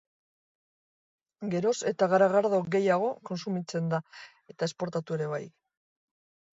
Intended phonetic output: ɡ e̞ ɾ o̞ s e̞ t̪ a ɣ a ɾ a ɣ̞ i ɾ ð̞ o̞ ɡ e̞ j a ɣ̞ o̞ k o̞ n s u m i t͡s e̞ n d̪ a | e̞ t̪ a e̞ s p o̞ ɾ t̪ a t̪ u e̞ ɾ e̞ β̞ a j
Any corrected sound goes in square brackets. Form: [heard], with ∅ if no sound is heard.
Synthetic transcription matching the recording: ɡ e̞ ɾ o̞ s e̞ t̪ a ɣ a ɾ a ɣ̞ [a] ɾ ð̞ o̞ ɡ e̞ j a ɣ̞ o̞ k o̞ n s u m i t͡s e̞ n d̪ a | e̞ t̪ a e̞ s p o̞ ɾ t̪ a t̪ u e̞ ɾ e̞ β̞ a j

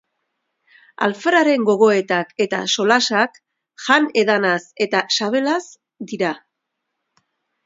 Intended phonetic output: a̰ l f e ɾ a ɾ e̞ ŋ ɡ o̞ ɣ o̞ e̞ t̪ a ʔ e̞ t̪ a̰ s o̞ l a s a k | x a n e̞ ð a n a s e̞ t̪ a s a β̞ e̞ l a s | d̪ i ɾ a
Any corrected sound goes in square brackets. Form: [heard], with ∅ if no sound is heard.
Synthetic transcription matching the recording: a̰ l f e ɾ a ɾ e̞ ŋ ɡ o̞ ɣ o̞ e̞ t̪ a [k] e̞ t̪ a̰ s o̞ l a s a k | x a n e̞ ð a n a s e̞ t̪ a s a β̞ e̞ l a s | d̪ i ɾ a

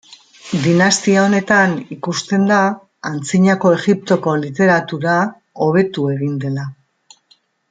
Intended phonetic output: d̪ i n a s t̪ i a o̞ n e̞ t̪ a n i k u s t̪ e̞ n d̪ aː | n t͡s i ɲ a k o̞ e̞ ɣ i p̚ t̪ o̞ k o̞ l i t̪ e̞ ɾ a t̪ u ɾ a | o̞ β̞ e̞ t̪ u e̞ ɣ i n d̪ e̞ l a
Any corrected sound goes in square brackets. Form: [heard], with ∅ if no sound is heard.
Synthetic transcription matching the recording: d̪ i n a s t̪ i a o̞ n e̞ t̪ a n i k u s t̪ e̞ n d̪ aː | n t͡s i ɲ a k o̞ e̞ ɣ i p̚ t̪ o̞ k o̞ l i t̪ e̞ ɾ a t̪ u ɾ a | o̞ β̞ e̞ t̪ u e̞ ɣ i n d̪ e̞ l a

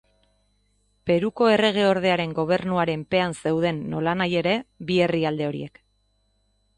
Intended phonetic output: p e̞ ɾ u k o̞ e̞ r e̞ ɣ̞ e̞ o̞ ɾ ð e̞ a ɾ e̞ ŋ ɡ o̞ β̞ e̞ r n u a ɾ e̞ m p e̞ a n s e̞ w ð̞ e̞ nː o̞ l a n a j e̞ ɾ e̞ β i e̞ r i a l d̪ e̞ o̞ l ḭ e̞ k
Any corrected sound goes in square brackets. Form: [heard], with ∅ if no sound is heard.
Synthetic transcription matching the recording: p e̞ ɾ u k o̞ e̞ r e̞ ɣ̞ e̞ o̞ ɾ ð e̞ a ɾ e̞ ŋ ɡ o̞ β̞ e̞ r n u a ɾ e̞ m p e̞ a n s e̞ w ð̞ e̞ nː o̞ l a n a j e̞ ɾ e̞ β i e̞ r i a l d̪ e̞ o̞ [ɾ] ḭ e̞ k

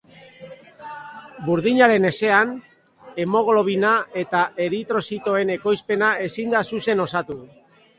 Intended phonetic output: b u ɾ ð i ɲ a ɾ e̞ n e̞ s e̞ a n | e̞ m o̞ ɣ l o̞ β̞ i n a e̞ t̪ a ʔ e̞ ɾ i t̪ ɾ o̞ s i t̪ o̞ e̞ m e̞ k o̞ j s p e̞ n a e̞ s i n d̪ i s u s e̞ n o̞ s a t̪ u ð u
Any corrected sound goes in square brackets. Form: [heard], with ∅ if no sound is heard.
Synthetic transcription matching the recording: b u ɾ ð i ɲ a ɾ e̞ n e̞ s e̞ a n | e̞ m o̞ ɣ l o̞ β̞ i n a e̞ t̪ a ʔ e̞ ɾ i t̪ ɾ o̞ s i t̪ o̞ e̞ [n] e̞ k o̞ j s p e̞ n a e̞ s i n d̪ [a] s u s e̞ n o̞ s a t̪ u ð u

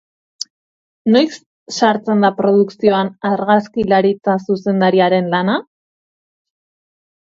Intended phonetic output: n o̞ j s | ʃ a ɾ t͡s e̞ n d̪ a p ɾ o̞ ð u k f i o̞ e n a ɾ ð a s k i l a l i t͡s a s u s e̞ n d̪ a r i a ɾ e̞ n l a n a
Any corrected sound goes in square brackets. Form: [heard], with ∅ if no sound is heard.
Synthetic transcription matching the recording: n o̞ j s | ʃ a ɾ t͡s e̞ n d̪ a p ɾ o̞ ð u k [s] i o̞ [a] n a ɾ [ɣ] a s k i l a [ɾ] i t͡s a s u s e̞ n d̪ a [ɾ] i a ɾ e̞ n l a n a

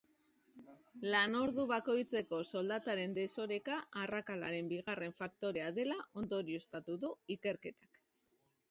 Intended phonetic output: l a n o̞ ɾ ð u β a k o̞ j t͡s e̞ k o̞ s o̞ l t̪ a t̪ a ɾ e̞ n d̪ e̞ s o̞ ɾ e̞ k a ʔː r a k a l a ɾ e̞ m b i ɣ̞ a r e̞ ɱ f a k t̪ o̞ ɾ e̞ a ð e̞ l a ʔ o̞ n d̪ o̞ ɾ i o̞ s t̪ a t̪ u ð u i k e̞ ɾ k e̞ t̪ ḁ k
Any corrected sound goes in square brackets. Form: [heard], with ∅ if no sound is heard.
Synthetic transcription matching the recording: l a n o̞ ɾ ð u β a k o̞ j t͡s e̞ k o̞ s o̞ l [d̪] a t̪ a ɾ e̞ n d̪ e̞ s o̞ ɾ e̞ k a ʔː r a k a l a ɾ e̞ m b i ɣ̞ a r e̞ ɱ f a k t̪ o̞ ɾ e̞ a ð e̞ l a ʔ o̞ n d̪ o̞ ɾ i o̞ s t̪ a t̪ u ð u i k e̞ ɾ k e̞ t̪ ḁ k

